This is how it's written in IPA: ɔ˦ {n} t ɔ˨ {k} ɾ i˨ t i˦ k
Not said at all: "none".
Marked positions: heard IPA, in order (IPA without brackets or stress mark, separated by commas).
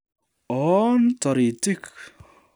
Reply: n, none